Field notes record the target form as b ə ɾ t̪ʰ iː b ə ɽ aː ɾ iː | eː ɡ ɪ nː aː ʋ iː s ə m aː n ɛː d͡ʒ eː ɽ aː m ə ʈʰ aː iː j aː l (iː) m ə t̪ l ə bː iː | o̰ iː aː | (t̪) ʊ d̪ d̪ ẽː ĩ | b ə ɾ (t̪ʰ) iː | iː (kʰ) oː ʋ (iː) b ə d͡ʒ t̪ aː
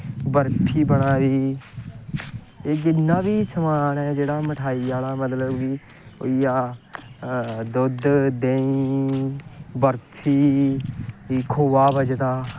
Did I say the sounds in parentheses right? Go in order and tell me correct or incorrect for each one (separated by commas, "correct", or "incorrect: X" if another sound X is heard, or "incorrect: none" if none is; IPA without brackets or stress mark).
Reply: incorrect: aː, incorrect: d̪, correct, correct, incorrect: aː